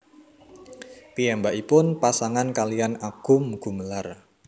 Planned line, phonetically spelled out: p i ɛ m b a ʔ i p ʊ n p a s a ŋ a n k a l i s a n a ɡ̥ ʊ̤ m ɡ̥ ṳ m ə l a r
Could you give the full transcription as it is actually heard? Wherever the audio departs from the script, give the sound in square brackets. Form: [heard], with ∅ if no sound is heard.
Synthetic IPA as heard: p i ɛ m b a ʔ i p ʊ n p a s a ŋ a n k a l i [∅] a n a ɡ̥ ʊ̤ m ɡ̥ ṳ m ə l a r

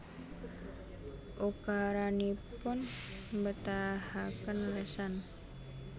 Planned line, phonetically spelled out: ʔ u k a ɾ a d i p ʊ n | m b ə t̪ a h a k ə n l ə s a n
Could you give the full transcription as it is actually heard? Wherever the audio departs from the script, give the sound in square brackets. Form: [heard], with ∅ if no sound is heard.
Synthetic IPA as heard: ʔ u k a ɾ a [n] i p ʊ n | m b ə t̪ a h a k ə n l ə s a n

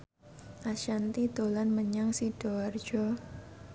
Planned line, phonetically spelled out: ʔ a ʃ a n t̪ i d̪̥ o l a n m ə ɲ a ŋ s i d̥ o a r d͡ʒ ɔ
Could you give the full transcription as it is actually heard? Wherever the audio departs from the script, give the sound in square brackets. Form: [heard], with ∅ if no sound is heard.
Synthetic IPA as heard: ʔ a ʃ a n t̪ i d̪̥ o l a n m ə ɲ a ŋ s i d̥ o a r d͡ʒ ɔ

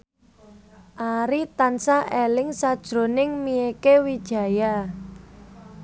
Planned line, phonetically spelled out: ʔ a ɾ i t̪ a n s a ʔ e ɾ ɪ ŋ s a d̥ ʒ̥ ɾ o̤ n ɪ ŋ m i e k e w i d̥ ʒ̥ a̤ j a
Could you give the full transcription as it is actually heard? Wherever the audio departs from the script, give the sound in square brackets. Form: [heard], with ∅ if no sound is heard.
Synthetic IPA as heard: ʔ a ɾ i t̪ a n s a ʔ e [l] ɪ ŋ s a d̥ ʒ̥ ɾ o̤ n ɪ ŋ m i e k e w i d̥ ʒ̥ a̤ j a

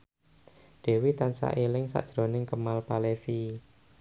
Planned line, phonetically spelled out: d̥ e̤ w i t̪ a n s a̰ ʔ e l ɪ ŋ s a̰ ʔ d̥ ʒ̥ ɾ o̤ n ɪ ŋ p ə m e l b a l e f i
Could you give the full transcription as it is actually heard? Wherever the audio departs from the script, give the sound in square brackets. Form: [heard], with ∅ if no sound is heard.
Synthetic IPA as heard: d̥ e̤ w i t̪ a n s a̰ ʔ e l ɪ ŋ s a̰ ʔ d̥ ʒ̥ ɾ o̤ n ɪ ŋ [k] ə m [a] l [p] a l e f i

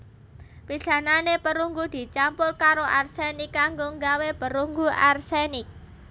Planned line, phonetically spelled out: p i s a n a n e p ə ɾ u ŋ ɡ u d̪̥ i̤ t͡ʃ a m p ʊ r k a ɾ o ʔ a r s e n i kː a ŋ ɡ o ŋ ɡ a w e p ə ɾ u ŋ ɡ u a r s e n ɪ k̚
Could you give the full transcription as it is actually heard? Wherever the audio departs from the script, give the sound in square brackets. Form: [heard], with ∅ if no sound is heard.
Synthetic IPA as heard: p i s a n a n e p ə ɾ u ŋ ɡ u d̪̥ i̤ t͡ʃ a m p ʊ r k a ɾ o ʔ a r s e n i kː a ŋ ɡ o ŋ ɡ a w e p ə ɾ u ŋ ɡ u a r s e n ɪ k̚

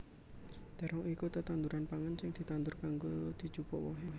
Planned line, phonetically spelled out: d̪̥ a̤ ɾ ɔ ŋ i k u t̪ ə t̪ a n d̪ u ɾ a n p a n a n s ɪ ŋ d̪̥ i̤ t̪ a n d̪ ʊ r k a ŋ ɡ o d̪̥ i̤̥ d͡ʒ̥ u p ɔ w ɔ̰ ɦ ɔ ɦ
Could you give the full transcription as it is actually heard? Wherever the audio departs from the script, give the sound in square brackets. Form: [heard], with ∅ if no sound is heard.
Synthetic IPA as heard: d̪̥ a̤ ɾ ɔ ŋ i k u t̪ ə t̪ a n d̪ u ɾ a n p a [ŋ] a n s ɪ ŋ d̪̥ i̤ t̪ a n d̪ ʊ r k a ŋ ɡ o d̪̥ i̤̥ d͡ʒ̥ u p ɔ w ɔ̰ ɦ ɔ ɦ

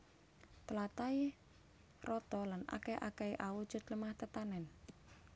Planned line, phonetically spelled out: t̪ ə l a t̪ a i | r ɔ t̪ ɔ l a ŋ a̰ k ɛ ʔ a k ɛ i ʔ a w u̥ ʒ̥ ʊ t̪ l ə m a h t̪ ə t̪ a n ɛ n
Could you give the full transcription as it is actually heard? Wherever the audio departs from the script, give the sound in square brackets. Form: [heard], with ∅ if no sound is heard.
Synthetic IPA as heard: t̪ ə l a t̪ a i | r ɔ t̪ ɔ l a [n] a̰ k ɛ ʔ a k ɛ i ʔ a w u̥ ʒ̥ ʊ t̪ l ə m a h t̪ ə t̪ a n ɛ n

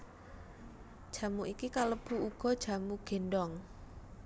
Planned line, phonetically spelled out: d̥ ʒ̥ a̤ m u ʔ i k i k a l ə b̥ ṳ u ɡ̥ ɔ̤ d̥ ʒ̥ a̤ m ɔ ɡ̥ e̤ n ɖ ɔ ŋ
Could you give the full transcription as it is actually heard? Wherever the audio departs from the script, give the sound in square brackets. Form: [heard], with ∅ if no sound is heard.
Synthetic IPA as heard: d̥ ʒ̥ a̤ m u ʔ i k i k a l ə b̥ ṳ u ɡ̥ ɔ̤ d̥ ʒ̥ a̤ m [u] ɡ̥ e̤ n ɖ ɔ ŋ

